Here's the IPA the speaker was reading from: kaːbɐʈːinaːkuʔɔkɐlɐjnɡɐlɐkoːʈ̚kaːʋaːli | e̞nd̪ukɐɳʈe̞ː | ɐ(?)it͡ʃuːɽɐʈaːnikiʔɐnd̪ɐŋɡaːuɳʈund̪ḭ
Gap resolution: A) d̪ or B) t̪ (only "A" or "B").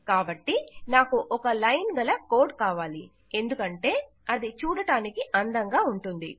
A